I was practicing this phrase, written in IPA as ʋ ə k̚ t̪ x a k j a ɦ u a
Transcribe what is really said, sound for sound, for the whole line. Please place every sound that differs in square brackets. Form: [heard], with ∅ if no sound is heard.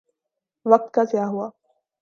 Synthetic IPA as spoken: ʋ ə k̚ t̪ [k] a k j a ɦ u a